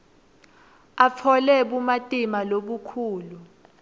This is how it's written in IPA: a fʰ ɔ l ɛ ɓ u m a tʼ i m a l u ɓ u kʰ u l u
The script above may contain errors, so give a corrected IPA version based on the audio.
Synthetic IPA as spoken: a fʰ ɔ l ɛ ɓ u m a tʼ i m a l o ɓ u kʰ uː l u

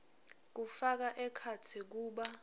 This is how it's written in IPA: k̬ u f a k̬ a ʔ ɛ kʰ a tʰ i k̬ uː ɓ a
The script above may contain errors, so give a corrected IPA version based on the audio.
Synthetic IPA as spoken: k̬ u f a k̬ a ʔ ɛ kʰ a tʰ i k̬ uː ɓ a

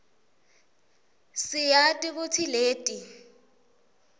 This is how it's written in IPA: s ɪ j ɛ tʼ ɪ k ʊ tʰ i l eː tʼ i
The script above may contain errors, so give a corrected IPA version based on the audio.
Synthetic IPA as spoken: s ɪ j a tʼ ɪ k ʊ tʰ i l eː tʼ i

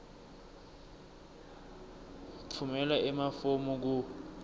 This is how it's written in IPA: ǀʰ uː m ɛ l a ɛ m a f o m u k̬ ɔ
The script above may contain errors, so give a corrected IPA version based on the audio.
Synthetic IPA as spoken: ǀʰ u m ɛ l a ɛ m a f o m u k̬ u

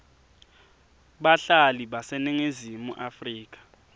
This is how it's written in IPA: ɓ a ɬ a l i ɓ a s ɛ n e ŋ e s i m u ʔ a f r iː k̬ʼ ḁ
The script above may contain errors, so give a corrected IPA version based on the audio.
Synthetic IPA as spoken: ɓ a ɬ a l i ɓ a s ɛ n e ŋ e z i m u ʔ a f r iː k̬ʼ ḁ

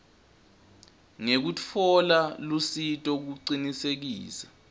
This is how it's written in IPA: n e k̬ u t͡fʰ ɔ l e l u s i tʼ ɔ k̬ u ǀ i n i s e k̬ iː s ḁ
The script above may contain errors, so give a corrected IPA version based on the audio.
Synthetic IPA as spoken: ŋ e k̬ u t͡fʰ ɔ l a l u s i tʼ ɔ k̬ u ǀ i n i s e k̬ iː s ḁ

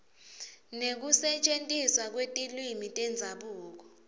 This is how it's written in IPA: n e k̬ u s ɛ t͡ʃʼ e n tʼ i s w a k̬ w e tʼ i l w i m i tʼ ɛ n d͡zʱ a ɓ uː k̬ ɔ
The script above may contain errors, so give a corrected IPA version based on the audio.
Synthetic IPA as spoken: n e k̬ u s ɛ t͡ʃʼ e n tʼ i s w a k̬ w e tʼ i l w i m i tʼ ɛ n d͡zʱ a ɓ uː k̬ ɔ

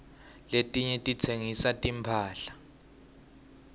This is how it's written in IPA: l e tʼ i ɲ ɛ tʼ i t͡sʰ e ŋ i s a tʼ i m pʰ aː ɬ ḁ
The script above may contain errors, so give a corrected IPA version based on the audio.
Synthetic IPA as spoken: l e tʼ i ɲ ɛ tʼ i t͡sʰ e ŋ i s a tʼ i m pʰ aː ɬ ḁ

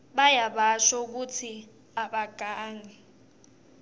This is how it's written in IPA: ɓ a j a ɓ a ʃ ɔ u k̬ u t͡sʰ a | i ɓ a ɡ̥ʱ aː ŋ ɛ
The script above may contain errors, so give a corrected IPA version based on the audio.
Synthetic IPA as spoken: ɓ a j a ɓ a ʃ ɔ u k̬ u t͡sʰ i | a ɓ a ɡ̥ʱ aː ŋ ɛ

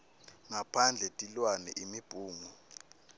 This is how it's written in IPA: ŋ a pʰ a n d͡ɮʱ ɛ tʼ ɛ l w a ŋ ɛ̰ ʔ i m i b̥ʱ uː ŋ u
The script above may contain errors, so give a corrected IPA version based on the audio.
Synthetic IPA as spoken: ŋ a pʰ a n d͡ɮʱ ɛ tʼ i l w a n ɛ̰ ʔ i m i b̥ʱ uː ŋ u

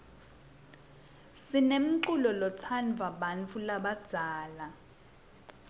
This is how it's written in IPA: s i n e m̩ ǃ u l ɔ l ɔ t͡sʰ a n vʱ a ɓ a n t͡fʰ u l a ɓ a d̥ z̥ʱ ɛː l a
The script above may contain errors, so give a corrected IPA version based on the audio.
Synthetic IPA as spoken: s i n e m̩ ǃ u l ɔ l ɔ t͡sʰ a n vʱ a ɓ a n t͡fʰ u l a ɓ a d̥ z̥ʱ aː l a

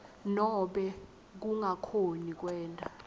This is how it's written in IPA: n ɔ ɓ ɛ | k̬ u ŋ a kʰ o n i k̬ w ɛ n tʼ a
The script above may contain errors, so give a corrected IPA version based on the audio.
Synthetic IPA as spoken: n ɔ ɓ ɛ | k̬ u ŋ a kʰ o n i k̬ w ɛː n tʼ a

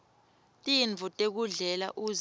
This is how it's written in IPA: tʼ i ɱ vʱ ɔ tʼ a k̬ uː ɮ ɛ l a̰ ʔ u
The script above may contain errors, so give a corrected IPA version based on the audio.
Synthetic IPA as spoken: tʼ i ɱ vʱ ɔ tʼ e k̬ u ɮ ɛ l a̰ ʔ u

